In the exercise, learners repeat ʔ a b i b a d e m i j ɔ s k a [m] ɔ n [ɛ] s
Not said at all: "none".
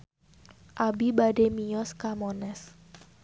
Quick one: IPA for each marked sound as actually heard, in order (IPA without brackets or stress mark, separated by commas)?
m, ɛ